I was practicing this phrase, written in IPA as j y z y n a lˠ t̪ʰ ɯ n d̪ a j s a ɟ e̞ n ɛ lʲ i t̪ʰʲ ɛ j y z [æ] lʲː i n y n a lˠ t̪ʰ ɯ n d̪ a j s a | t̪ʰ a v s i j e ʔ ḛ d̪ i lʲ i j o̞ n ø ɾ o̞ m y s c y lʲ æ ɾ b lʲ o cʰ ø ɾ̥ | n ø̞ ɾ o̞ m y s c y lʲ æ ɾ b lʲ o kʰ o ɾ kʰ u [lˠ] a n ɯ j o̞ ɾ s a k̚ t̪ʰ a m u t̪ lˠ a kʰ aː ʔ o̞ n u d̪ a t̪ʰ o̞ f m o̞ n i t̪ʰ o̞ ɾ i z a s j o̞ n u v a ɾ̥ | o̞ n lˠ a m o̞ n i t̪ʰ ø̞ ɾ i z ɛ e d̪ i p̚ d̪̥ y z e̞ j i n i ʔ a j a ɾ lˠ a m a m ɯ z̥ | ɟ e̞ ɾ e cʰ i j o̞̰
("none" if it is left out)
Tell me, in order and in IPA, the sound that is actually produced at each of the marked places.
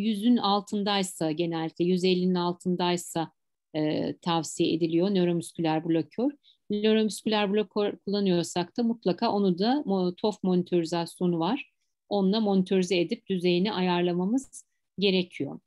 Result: e, lˠː

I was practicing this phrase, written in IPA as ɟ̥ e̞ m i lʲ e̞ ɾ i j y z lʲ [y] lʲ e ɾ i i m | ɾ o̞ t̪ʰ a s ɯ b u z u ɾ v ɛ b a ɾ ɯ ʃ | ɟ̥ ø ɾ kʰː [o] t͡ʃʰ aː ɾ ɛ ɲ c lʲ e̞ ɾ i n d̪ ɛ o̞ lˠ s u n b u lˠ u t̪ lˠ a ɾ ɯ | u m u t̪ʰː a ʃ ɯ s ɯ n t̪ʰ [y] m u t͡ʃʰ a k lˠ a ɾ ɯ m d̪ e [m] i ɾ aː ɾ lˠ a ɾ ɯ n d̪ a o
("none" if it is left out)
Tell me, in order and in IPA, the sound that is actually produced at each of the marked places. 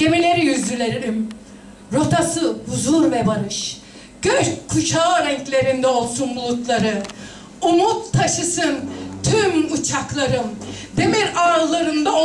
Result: y, u, y, m

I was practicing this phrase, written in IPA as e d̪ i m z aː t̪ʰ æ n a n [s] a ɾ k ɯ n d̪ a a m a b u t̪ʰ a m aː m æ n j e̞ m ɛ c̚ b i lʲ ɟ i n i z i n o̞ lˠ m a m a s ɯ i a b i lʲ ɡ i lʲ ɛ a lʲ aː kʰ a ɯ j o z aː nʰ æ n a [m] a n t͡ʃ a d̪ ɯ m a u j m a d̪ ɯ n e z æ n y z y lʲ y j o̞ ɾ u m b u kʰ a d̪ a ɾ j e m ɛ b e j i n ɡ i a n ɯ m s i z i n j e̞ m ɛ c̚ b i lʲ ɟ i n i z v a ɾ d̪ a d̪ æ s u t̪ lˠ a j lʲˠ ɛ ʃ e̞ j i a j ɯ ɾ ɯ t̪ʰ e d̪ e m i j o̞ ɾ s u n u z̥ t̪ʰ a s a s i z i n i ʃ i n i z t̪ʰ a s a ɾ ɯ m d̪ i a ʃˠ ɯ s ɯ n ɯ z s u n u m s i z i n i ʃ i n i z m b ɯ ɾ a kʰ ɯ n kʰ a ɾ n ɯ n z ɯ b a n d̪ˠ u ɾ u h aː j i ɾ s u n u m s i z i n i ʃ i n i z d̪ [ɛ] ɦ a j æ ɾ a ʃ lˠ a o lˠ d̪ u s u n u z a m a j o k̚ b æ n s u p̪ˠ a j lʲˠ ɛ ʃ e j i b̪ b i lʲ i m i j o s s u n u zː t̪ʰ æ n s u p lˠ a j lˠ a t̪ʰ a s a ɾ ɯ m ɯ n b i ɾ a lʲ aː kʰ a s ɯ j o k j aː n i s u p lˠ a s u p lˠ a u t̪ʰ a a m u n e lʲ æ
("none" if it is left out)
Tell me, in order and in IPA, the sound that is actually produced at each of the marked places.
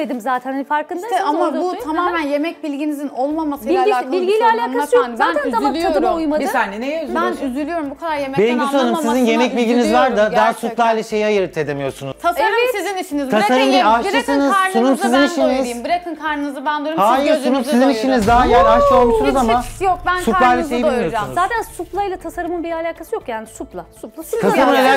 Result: f, m, a

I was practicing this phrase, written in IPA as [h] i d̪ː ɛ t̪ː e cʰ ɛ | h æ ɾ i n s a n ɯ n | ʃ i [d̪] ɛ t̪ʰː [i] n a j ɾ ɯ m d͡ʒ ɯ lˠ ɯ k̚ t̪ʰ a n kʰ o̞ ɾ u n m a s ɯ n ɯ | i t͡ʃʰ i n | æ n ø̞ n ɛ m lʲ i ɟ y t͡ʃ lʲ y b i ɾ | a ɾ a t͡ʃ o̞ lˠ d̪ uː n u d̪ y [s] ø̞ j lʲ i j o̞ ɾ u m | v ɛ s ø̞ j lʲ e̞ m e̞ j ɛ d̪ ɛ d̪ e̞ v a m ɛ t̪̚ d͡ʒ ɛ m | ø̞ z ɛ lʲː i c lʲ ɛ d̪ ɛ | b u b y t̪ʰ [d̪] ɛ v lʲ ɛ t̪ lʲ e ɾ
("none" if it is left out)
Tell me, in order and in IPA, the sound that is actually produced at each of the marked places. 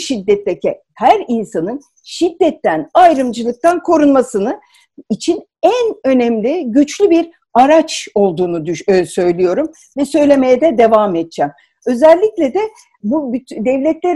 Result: ʃ, d̪ː, æ, s, d̪

